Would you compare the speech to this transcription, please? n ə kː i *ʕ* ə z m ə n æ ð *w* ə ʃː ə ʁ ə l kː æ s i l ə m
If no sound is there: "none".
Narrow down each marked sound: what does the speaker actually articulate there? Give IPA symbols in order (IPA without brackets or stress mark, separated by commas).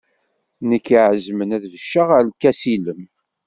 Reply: ʕ, v